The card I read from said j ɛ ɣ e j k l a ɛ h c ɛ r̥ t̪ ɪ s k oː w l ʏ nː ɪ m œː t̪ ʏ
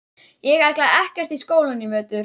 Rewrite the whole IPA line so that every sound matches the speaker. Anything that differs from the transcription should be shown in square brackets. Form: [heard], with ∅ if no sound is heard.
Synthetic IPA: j ɛ ɣ [a] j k l a ɛ h c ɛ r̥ t̪ [i] s k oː w l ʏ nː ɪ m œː t̪ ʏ